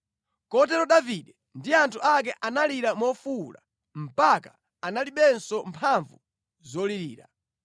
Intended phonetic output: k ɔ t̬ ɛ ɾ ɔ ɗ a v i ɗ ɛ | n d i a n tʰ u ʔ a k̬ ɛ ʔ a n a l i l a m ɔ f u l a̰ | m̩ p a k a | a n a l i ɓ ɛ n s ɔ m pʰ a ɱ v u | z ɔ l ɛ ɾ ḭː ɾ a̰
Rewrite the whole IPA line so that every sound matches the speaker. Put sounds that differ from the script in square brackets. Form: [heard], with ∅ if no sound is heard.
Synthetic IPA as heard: k ɔ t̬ ɛ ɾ ɔ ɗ a v i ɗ ɛ | n d i a n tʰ u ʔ a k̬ ɛ ʔ a n a l i [ɾ] a m ɔ f u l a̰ | m̩ p a k a | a n a l i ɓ ɛ n s ɔ m pʰ a ɱ v u | z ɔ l [i] ɾ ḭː ɾ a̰